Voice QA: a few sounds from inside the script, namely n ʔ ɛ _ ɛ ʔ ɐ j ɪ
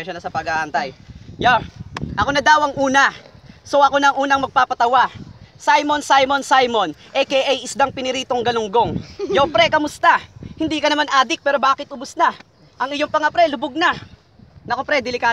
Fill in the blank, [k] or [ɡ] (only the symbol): k